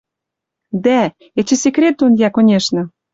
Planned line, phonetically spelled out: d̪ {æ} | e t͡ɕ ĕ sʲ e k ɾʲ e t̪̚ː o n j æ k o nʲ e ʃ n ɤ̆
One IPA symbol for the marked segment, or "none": æ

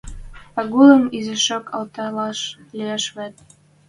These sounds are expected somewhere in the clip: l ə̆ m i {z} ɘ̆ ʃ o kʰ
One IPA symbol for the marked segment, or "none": z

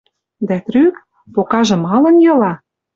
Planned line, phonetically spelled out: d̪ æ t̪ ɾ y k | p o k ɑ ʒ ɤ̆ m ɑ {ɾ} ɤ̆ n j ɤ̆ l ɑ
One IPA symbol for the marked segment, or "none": l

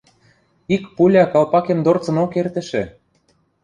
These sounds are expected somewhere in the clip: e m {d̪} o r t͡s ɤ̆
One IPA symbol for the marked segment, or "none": d̪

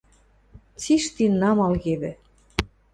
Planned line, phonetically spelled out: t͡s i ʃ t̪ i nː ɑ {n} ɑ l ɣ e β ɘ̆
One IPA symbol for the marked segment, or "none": m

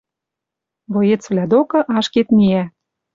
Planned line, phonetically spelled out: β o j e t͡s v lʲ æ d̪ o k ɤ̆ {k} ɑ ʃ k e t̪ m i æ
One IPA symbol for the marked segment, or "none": ʔ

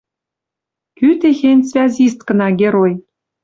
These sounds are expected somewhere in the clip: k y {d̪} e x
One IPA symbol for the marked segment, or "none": t̪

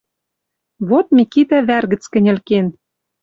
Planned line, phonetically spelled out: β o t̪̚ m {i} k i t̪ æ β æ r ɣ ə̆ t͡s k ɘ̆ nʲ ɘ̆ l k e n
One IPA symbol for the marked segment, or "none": i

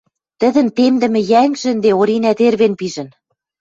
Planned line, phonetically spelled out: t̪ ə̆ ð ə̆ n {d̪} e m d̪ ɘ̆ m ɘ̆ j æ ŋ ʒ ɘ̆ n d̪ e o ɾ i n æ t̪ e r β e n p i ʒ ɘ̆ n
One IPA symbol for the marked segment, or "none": t̪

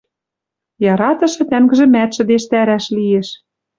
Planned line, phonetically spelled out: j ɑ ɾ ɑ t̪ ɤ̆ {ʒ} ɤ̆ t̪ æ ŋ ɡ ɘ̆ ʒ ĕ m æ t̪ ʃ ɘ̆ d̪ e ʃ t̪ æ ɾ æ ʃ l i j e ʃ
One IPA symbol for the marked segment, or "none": ʃ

